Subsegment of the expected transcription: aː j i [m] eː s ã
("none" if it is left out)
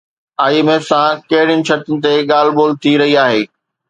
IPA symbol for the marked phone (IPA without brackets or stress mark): m